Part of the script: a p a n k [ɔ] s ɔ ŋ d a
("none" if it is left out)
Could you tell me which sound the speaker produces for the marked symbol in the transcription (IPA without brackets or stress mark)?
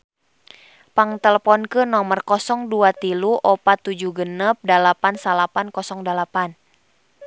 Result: ɔ